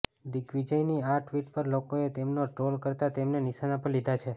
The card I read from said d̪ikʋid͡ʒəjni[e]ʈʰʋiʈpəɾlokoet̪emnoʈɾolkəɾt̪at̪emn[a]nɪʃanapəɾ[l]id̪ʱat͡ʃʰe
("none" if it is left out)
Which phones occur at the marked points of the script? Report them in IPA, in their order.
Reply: a, e, l

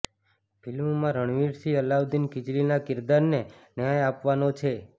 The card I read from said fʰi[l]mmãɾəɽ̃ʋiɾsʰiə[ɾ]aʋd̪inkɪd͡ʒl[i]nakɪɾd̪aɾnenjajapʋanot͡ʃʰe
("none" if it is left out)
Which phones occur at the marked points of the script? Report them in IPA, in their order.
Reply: l, l, i

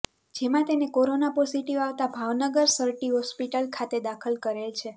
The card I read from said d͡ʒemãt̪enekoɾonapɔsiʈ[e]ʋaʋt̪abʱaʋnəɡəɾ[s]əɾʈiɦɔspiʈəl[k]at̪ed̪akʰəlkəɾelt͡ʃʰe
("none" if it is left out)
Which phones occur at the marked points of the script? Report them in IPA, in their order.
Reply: i, s, kʰ

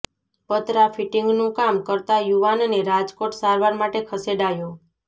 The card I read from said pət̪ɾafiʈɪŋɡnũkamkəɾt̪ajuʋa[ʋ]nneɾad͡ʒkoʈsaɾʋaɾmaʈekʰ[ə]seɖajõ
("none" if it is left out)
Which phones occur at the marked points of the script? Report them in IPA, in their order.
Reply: none, ə

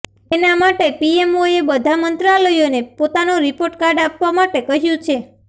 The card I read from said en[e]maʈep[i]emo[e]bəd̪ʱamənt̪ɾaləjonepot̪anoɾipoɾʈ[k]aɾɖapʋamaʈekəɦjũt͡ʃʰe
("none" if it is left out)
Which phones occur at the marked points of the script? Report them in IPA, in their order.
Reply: a, i, e, k

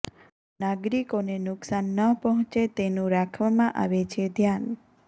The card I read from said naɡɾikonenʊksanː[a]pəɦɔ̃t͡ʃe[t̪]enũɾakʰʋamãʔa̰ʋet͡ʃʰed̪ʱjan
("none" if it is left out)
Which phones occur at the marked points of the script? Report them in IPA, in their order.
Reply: ə, t̪

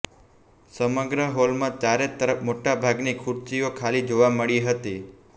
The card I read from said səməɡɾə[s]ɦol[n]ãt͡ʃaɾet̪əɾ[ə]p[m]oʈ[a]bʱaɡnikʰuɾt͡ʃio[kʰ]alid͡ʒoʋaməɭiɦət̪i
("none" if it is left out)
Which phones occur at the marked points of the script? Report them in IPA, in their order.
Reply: none, m, ə, m, a, kʰ

